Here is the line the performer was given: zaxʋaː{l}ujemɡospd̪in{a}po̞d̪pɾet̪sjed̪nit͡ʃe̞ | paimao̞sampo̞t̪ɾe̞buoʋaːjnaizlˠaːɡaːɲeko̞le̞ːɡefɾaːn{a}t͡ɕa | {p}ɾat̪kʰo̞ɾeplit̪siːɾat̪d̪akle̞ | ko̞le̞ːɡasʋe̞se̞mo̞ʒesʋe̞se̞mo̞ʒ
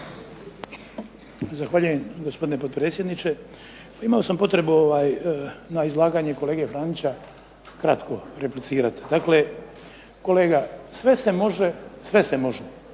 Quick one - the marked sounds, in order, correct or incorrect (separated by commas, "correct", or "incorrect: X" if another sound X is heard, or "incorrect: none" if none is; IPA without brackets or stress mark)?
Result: incorrect: ʎ, incorrect: e, incorrect: i, incorrect: k